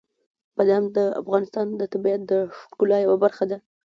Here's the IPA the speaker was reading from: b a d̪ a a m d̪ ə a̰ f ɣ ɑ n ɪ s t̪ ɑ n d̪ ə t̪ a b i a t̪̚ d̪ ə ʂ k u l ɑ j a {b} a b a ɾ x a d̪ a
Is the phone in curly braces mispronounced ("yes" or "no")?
yes